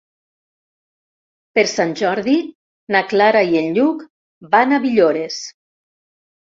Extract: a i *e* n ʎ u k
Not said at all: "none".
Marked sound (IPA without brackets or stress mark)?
e